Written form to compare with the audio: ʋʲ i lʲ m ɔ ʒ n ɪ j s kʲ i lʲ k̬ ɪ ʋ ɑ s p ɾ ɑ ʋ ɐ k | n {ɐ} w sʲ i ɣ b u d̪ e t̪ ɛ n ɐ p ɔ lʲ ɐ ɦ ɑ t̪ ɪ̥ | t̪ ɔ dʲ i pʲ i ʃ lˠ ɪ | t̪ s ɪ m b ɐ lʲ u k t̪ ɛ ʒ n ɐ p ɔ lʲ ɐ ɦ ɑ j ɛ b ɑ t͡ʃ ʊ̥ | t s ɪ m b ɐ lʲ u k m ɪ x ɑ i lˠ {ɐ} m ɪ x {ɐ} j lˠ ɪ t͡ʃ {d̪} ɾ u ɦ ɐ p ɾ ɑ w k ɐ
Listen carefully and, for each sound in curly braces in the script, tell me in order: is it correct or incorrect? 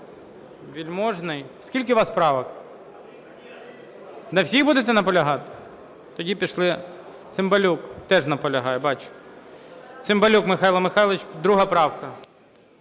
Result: correct, correct, incorrect: ɑ, correct

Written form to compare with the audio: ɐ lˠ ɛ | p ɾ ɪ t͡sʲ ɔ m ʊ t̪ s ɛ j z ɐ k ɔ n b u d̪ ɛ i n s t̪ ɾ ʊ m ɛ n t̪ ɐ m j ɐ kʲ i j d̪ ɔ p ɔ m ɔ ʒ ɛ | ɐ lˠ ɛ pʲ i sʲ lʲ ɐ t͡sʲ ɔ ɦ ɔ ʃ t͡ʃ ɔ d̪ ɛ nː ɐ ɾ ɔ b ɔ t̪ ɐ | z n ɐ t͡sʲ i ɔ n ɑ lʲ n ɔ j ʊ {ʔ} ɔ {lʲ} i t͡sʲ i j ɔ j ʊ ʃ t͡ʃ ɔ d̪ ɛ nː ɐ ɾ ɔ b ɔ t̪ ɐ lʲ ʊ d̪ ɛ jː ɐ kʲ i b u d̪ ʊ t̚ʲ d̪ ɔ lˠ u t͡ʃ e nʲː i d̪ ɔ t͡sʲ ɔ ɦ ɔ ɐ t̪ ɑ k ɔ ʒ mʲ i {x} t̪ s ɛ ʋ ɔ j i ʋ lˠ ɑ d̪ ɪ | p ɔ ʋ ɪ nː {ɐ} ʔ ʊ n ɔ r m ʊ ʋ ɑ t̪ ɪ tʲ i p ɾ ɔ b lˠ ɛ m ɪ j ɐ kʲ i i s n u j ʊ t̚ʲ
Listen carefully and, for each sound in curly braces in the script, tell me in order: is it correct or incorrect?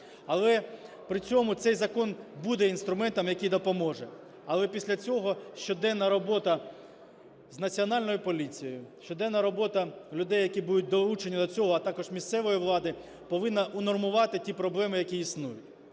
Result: incorrect: p, correct, incorrect: s, correct

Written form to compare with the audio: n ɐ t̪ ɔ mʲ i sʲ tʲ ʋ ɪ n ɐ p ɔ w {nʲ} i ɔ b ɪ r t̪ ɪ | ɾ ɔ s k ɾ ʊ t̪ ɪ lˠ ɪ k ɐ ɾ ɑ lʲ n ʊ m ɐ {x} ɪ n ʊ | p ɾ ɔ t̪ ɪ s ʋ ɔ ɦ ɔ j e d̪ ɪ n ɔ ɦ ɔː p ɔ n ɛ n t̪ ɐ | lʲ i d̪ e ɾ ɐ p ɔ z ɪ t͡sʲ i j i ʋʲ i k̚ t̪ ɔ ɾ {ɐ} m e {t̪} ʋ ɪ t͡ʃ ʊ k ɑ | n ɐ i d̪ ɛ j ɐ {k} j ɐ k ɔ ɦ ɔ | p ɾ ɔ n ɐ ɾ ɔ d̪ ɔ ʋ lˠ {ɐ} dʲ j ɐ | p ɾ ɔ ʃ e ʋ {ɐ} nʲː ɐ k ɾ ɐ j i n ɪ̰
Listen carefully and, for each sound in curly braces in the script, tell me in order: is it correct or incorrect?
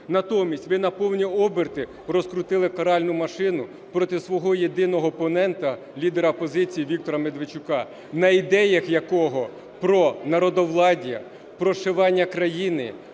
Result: correct, incorrect: ʃ, correct, incorrect: d̪, incorrect: x, incorrect: ɑ, incorrect: ɑ

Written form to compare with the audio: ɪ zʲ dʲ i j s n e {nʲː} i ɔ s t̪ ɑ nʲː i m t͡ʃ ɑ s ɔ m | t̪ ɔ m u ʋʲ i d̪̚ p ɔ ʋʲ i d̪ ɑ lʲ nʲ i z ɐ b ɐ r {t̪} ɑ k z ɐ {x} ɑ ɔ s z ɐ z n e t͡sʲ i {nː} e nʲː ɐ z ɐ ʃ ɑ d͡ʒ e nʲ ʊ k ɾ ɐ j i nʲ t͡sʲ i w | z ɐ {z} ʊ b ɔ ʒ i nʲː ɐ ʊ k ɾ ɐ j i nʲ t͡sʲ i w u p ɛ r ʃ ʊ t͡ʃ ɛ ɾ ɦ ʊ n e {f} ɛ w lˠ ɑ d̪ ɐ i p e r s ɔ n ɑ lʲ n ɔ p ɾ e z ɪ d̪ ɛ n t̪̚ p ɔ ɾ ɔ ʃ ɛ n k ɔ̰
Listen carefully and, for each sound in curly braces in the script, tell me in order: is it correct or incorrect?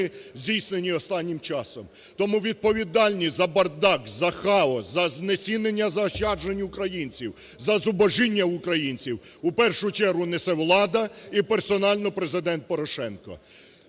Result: incorrect: nʲ, incorrect: d̪, correct, incorrect: n, correct, incorrect: s

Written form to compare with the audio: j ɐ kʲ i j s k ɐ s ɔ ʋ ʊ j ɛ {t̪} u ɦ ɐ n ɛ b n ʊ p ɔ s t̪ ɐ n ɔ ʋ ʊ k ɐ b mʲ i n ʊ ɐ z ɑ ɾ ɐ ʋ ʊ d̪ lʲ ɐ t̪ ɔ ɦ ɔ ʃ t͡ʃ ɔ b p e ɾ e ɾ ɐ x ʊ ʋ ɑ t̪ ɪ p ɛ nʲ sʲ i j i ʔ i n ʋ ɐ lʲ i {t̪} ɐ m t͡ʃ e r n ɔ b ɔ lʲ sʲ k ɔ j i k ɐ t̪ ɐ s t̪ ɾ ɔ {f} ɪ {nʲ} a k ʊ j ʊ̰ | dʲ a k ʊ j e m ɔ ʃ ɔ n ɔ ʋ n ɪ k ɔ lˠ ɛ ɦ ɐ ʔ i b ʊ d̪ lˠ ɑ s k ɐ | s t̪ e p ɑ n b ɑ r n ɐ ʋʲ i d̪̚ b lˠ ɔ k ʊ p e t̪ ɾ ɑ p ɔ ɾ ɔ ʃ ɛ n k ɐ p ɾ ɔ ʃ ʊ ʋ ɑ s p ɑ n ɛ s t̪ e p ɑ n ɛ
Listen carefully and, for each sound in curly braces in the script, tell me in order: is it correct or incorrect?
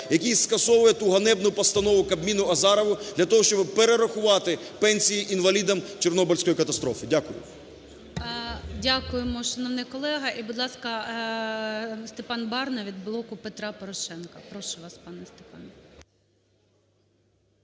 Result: correct, incorrect: d̪, correct, incorrect: dʲ

